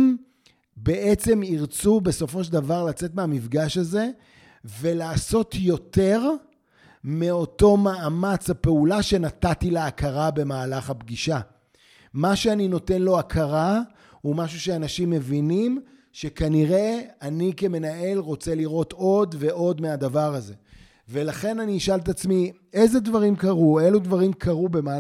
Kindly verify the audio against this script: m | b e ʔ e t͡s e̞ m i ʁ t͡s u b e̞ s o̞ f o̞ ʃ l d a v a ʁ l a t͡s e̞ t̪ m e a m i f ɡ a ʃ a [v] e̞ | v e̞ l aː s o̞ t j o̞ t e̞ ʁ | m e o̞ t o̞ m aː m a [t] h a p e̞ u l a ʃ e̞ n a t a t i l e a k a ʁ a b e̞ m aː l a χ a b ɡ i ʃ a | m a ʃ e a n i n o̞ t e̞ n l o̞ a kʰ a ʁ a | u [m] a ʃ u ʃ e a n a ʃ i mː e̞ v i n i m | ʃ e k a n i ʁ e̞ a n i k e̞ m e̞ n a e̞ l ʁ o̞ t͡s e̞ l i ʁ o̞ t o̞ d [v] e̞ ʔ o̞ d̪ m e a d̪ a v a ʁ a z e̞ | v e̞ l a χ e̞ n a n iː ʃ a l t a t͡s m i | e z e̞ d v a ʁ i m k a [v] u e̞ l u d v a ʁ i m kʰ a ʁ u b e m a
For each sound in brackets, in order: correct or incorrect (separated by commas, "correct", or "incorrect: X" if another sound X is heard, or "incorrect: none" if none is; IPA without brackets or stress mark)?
incorrect: z, incorrect: t͡s, correct, correct, incorrect: ʁ